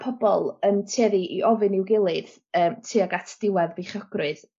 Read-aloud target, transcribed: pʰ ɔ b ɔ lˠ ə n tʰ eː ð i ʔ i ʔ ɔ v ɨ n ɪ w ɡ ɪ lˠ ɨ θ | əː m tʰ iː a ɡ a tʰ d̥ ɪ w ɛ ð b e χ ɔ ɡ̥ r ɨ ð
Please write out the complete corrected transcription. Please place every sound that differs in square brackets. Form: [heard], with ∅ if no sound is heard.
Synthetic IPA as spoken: pʰ ɔ b ɔ lˠ ə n tʰ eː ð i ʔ i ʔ ɔ v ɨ n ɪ w ɡ ɪ lˠ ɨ [ð] | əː m tʰ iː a ɡ a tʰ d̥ ɪ w ɛ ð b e χ ɔ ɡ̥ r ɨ ð

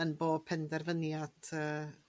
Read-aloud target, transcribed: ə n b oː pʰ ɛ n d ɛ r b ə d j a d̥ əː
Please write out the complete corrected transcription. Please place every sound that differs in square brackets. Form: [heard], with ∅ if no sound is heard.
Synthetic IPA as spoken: ə n b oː pʰ ɛ n d ɛ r [v] ə [n] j a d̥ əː

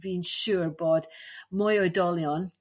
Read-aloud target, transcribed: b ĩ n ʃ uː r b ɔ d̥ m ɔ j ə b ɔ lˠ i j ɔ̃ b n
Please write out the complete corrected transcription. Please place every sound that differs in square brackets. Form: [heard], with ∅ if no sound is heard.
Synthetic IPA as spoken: b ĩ n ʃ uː [ɹ] b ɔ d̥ m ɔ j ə [d] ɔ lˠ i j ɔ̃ [∅] n

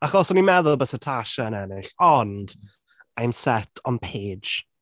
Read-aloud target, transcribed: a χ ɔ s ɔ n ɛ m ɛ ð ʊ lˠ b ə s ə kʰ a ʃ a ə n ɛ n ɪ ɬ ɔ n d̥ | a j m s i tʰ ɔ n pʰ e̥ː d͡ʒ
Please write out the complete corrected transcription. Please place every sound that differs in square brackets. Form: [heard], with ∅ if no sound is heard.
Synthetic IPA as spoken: a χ ɔ s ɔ n [i] m ɛ ð ʊ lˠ b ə s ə [tʰ] a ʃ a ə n ɛ n ɪ ɬ ɔ n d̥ | a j m s [ɛ] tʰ ɔ n pʰ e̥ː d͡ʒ

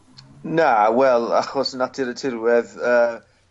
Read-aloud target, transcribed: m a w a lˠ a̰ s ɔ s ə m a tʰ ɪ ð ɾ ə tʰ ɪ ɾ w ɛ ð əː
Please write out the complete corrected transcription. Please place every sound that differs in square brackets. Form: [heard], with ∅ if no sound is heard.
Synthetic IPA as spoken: [n] a w [ɛ] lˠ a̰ [χ] ɔ s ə [n] a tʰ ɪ [∅] ɾ ə tʰ ɪ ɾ w ɛ ð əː

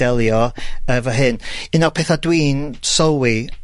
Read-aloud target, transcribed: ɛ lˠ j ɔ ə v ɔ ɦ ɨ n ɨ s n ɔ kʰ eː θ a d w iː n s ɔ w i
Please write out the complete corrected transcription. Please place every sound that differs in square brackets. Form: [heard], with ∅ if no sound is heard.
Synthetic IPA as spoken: ɛ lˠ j ɔ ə v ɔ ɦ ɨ n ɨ [∅] n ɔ [pʰ] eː θ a d w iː n s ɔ w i

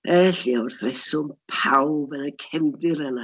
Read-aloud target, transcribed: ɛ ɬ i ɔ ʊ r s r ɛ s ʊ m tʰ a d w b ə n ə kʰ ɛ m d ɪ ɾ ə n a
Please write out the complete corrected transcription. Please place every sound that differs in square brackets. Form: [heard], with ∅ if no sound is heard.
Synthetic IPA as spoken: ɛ ɬ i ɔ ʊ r [θ] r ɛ s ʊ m [pʰ] a [∅] w b ə n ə kʰ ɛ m d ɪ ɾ ə n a

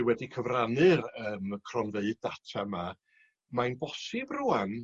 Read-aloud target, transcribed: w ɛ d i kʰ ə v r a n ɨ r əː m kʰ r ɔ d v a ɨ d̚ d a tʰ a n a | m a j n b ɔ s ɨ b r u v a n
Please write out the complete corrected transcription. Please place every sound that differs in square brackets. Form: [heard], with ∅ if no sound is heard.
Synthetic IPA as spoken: w ɛ d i kʰ ə v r a n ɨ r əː m kʰ r ɔ [n] v [e] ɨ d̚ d a tʰ a [m] a | m a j n b ɔ s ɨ b r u [∅] a n

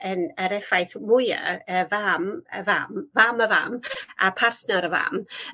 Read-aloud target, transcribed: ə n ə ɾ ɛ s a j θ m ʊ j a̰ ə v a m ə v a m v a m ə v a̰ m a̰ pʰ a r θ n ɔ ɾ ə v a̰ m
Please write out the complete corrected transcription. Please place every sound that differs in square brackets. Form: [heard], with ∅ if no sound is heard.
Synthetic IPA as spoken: ə n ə ɾ ɛ [f] a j θ m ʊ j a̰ ə v a m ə v a m v a m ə v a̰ m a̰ pʰ a r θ n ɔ ɾ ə v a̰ m

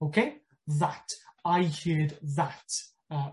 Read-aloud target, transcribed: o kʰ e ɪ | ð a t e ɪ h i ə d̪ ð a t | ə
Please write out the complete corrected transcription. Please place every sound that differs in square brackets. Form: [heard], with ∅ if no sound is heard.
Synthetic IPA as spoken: o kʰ e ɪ | ð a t [a] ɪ h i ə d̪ ð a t | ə

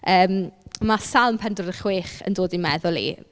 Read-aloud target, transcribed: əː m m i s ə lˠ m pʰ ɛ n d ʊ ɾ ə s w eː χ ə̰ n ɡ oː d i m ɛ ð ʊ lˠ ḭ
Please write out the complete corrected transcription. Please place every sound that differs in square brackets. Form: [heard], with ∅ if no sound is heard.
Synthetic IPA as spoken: əː m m [a] s [a] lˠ m pʰ ɛ n d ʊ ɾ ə [χ] w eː χ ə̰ n [d] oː d i m ɛ ð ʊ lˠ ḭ

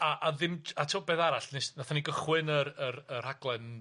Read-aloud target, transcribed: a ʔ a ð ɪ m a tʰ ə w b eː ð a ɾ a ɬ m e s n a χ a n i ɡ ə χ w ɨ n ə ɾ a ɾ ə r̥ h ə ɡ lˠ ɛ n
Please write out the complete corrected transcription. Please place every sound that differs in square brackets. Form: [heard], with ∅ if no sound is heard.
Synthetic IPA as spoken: a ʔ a ð ɪ m a tʰ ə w b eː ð a ɾ a ɬ [n] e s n a [θ] a n i ɡ ə χ w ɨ n ə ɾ [ə] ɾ ə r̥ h [a] ɡ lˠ ɛ n

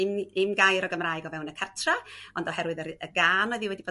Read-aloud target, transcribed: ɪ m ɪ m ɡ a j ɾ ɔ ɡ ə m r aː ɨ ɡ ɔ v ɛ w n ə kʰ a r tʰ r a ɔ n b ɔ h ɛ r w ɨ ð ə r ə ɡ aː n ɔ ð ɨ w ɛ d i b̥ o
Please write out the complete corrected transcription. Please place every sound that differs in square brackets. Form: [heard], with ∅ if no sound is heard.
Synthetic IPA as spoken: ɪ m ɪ m ɡ a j ɾ ɔ ɡ ə m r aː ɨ ɡ ɔ v ɛ w n ə kʰ a r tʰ r a ɔ n [d] ɔ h ɛ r w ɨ ð ə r ə ɡ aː n ɔ ð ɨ w ɛ d i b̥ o

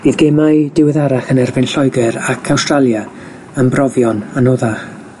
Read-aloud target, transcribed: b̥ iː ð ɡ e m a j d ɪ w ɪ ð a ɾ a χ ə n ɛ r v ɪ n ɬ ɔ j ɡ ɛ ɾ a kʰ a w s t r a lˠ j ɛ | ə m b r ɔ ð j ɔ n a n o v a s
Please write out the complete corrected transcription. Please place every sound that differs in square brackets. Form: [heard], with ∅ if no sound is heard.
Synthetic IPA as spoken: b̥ iː ð ɡ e m a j d ɪ w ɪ ð a ɾ a χ ə n ɛ r v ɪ n ɬ ɔ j ɡ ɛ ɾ a kʰ a w s t r a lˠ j [a] | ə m b r ɔ [v] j ɔ n a n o [ð] a [χ]

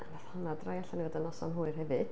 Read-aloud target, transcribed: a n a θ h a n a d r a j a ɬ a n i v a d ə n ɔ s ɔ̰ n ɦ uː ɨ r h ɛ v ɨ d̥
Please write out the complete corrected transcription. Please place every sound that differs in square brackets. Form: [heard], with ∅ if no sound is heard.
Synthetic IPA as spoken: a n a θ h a n a d r a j a ɬ a n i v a d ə n ɔ s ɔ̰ n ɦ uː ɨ r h ɛ v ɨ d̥

